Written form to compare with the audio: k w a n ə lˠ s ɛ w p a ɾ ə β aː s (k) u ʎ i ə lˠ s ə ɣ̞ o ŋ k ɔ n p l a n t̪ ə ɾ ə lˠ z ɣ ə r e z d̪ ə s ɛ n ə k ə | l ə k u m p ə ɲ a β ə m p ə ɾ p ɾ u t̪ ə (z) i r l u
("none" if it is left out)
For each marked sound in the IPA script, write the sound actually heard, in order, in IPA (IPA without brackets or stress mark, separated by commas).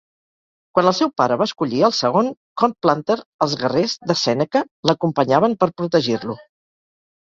k, ʒ